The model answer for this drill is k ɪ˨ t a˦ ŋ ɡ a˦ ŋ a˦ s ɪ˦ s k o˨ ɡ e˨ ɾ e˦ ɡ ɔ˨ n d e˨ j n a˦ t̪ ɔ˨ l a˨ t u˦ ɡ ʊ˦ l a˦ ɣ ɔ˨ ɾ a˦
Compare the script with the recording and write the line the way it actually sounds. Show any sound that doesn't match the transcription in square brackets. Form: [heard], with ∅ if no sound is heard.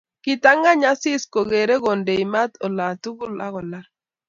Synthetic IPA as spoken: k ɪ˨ t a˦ ŋ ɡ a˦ [ɲ] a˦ s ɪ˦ s k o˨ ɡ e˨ ɾ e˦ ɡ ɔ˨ n d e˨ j [m] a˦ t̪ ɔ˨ l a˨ t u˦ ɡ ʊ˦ l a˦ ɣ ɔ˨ [l] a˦